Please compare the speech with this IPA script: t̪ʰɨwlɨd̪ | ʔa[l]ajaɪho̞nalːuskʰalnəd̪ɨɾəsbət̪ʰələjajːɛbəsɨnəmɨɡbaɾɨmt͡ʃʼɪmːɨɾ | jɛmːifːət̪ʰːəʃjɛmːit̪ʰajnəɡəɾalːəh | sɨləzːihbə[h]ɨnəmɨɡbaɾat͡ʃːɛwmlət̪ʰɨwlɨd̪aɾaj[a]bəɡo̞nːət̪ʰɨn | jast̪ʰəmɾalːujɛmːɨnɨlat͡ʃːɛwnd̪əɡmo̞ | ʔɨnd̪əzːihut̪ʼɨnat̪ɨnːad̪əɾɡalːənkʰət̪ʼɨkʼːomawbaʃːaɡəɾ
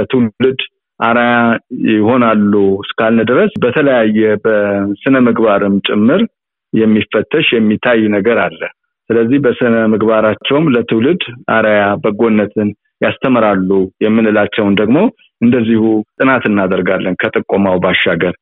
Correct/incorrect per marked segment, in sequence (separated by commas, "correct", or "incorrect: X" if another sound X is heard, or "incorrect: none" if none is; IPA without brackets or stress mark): incorrect: ɾ, incorrect: s, correct